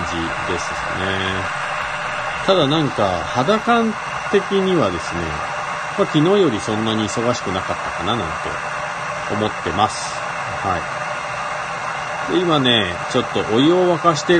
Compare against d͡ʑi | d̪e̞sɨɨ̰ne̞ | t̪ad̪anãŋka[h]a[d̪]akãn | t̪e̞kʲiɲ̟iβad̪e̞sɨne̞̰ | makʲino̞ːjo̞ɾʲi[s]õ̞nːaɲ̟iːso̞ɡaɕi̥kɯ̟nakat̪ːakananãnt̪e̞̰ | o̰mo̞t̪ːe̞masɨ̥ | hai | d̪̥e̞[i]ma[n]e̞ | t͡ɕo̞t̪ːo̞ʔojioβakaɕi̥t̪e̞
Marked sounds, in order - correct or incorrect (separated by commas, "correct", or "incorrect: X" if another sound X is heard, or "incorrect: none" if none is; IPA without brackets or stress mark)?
correct, correct, correct, correct, correct